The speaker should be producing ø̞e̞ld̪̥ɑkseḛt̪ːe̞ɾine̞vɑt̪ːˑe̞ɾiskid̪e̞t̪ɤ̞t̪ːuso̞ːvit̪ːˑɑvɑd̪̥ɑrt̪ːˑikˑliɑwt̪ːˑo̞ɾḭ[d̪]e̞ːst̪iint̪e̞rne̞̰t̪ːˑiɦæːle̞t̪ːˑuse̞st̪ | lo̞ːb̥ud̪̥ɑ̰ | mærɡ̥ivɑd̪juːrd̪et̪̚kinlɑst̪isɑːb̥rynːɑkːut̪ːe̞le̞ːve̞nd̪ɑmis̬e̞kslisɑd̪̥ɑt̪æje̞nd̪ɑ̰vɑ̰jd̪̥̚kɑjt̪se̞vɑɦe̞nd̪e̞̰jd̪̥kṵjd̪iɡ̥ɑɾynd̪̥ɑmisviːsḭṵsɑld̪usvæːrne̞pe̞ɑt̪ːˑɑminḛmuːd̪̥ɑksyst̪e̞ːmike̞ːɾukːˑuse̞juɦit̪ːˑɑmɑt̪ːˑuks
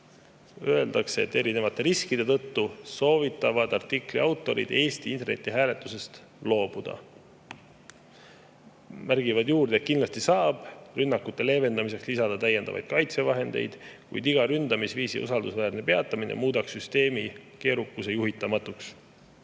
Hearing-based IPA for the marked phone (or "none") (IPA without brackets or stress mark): d̪